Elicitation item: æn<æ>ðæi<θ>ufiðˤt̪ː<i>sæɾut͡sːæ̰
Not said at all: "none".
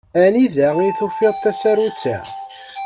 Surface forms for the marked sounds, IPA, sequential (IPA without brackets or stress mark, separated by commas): i, θ, æ